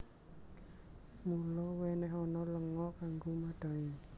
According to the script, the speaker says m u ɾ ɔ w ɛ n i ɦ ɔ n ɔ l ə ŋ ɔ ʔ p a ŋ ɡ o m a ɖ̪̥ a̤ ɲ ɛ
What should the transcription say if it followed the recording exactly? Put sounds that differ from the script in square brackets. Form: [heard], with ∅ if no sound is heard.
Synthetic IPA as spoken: m u [l] ɔ w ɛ n [ɛ] ɦ ɔ n ɔ l ə ŋ ɔ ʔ [k] a ŋ ɡ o m a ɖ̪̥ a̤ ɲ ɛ